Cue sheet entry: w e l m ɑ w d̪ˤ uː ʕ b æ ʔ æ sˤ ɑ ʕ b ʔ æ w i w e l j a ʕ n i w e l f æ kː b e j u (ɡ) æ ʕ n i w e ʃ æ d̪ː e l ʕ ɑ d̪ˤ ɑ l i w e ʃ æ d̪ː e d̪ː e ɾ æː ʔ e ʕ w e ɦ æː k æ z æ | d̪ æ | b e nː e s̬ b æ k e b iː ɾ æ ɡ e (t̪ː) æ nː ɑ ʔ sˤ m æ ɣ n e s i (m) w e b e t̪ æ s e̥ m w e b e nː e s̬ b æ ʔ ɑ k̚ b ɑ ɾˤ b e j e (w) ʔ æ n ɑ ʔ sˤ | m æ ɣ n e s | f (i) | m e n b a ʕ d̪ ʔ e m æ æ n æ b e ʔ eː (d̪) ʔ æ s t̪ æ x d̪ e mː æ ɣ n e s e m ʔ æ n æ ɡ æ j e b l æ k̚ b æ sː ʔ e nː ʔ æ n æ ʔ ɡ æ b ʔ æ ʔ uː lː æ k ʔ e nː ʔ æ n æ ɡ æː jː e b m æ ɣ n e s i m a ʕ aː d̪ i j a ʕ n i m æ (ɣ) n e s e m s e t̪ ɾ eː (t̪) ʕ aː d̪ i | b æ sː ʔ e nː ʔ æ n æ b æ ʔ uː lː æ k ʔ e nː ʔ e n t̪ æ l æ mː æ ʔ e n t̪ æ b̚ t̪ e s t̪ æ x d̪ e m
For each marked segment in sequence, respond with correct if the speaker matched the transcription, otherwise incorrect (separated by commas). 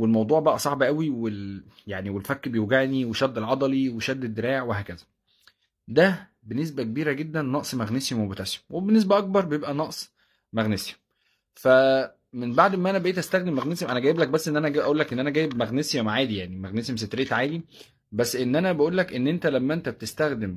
correct, incorrect, correct, incorrect, incorrect, incorrect, correct, correct